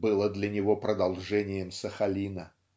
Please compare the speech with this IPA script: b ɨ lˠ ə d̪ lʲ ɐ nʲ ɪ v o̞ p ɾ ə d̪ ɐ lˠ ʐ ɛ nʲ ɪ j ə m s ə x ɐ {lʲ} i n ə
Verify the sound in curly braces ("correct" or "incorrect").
correct